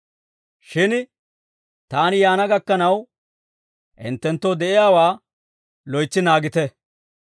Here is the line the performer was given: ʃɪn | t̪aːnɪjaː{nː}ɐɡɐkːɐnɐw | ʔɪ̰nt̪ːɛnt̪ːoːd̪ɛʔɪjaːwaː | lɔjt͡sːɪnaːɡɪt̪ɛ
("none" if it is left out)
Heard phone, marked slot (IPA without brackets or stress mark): n